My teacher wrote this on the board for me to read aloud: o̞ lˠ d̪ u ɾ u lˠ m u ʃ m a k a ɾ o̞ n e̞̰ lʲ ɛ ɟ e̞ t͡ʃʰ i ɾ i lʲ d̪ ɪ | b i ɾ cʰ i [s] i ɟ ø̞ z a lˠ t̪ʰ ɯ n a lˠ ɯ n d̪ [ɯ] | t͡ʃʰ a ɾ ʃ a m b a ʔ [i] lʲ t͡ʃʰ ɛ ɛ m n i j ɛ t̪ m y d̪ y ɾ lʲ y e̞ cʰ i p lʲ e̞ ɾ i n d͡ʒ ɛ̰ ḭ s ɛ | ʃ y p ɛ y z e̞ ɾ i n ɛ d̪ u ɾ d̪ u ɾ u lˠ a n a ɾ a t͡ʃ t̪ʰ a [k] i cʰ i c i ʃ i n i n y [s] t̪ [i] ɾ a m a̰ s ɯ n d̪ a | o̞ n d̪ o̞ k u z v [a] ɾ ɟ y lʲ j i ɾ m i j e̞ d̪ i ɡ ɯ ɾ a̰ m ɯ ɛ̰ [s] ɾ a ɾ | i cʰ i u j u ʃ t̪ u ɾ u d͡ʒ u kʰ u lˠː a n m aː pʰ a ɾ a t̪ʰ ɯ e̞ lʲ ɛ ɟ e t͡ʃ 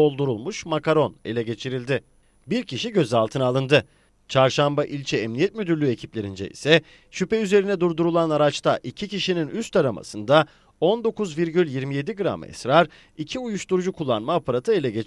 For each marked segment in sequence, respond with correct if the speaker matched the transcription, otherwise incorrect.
incorrect: ʃ, correct, correct, incorrect: ʔ, correct, incorrect: a, incorrect: i, correct

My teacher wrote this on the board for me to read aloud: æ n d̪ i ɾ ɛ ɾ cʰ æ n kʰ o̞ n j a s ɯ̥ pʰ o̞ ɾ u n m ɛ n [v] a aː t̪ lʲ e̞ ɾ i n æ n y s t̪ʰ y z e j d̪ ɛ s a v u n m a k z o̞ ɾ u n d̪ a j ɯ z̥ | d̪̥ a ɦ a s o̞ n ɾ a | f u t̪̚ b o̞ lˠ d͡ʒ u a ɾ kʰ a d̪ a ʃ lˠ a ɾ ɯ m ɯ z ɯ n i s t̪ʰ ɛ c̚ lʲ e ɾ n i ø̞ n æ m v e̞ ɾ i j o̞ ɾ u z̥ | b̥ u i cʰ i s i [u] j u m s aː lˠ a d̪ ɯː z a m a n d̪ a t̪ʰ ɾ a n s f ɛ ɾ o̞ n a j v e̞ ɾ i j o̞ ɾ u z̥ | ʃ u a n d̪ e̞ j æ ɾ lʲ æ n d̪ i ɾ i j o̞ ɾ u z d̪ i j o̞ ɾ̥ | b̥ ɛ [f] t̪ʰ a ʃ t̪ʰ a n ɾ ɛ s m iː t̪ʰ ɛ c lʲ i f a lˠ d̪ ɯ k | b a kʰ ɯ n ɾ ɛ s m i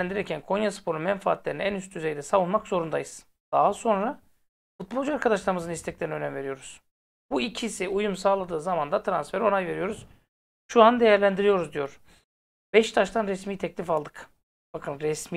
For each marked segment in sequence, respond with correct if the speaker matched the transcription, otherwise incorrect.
incorrect: f, correct, incorrect: ʃ

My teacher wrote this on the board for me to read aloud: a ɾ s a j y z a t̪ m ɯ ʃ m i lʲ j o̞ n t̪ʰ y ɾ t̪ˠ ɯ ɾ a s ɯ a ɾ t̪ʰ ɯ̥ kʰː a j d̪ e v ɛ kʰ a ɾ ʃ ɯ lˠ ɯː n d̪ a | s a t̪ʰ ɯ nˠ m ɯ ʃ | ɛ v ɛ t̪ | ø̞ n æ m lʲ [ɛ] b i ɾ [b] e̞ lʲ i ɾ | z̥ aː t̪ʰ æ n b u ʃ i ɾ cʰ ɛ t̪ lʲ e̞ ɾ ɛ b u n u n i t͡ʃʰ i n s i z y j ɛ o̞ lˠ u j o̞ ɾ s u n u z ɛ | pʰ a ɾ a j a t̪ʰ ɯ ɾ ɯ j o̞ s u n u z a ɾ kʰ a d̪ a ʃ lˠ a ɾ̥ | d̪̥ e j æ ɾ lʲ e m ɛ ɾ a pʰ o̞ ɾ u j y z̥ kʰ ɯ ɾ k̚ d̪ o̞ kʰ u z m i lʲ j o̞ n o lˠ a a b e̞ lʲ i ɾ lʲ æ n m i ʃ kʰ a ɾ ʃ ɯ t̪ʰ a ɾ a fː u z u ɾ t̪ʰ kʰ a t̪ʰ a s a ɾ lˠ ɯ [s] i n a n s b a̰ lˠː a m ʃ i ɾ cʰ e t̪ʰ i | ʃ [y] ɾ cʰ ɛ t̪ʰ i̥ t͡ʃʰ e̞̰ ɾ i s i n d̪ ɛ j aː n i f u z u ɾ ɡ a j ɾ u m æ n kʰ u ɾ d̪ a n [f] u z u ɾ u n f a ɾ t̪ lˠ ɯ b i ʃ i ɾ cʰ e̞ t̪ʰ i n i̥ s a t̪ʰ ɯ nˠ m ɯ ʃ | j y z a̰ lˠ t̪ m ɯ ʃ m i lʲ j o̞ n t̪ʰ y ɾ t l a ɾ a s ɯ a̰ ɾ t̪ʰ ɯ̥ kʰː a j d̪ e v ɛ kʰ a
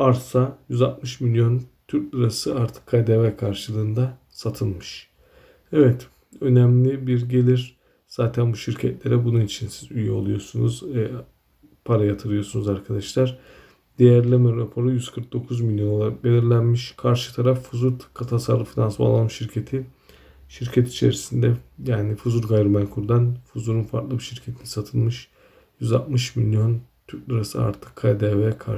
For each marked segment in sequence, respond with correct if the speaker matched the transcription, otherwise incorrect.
incorrect: i, incorrect: ɟ, incorrect: f, incorrect: i, correct

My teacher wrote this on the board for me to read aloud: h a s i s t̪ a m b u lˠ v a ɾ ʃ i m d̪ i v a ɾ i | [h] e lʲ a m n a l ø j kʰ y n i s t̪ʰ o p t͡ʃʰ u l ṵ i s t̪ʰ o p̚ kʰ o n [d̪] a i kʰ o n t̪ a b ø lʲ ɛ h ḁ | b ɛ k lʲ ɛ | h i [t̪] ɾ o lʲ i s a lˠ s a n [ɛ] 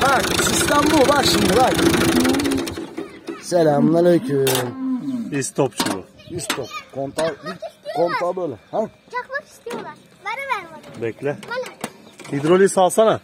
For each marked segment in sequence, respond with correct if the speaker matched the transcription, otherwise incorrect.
incorrect: s, incorrect: t̪, incorrect: d̪, incorrect: a

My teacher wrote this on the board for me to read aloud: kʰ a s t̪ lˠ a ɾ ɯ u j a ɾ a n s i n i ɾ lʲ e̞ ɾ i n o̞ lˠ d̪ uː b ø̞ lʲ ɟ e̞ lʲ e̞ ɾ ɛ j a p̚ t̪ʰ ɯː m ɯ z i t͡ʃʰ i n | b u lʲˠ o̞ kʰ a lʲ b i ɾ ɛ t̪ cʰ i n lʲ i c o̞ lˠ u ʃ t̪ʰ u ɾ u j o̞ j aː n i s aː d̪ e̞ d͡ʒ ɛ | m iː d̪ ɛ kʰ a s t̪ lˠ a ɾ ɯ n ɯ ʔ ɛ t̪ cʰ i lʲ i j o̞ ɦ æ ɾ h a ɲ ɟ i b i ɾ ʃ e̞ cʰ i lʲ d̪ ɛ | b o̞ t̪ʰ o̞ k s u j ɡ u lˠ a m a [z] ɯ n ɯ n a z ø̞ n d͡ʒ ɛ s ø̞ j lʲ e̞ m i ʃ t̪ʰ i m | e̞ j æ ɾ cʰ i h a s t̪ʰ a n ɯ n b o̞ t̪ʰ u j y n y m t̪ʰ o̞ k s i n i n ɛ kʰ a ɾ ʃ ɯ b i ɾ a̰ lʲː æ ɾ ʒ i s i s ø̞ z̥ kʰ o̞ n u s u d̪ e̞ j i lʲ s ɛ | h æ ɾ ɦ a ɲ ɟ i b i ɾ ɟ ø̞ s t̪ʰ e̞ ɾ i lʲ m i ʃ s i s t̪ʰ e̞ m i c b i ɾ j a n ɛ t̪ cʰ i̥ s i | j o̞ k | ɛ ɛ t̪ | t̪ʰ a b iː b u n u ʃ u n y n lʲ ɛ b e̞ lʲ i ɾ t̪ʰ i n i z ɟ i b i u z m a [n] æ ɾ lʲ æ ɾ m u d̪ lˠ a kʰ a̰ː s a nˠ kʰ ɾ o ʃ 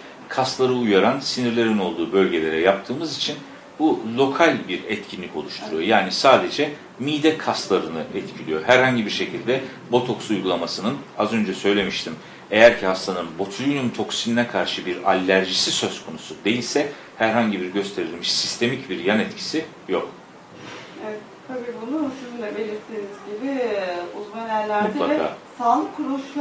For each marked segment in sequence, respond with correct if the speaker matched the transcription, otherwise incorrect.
incorrect: s, correct

